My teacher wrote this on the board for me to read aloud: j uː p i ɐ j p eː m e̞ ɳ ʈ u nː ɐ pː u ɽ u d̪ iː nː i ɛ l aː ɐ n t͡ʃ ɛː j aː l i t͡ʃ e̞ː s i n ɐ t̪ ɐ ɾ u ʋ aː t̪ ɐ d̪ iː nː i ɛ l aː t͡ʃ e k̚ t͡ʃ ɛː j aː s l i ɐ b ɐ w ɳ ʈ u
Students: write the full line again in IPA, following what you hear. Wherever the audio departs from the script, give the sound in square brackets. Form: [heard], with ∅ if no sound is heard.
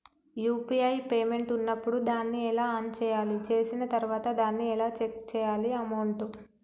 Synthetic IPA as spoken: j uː p i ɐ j p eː m e̞ ɳ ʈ u nː ɐ pː u ɽ u d̪ [aː] nː i ɛ l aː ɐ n t͡ʃ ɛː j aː l i t͡ʃ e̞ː s i n ɐ t̪ ɐ ɾ u ʋ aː t̪ ɐ d̪ [aː] nː i ɛ l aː t͡ʃ e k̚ t͡ʃ ɛː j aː [∅] l i ɐ [m] ɐ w ɳ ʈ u